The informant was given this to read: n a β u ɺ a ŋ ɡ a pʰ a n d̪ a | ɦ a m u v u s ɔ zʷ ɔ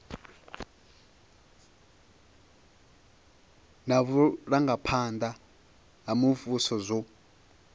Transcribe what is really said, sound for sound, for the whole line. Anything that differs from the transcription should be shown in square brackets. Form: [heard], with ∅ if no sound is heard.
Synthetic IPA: n a β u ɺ a ŋ ɡ a pʰ a n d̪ a | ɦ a m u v u s ɔ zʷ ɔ